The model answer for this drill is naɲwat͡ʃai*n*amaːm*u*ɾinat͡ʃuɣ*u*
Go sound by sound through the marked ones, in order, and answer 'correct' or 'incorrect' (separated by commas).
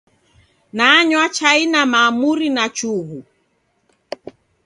correct, correct, correct